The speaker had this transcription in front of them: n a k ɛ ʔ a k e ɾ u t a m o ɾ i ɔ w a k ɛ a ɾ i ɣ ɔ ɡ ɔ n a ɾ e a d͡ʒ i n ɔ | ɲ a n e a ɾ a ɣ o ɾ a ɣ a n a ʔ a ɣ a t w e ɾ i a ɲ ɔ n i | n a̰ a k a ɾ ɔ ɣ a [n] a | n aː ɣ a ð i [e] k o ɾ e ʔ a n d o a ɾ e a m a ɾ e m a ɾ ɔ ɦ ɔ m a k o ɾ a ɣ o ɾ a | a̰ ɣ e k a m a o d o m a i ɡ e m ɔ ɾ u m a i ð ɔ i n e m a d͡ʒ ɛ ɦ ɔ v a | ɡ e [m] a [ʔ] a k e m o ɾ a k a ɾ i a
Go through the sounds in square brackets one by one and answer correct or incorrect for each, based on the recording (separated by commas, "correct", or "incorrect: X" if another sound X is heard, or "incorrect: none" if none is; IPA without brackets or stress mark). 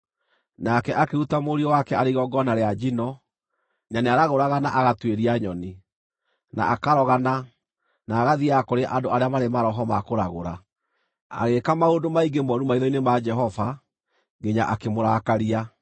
correct, incorrect: a, incorrect: ɲ, correct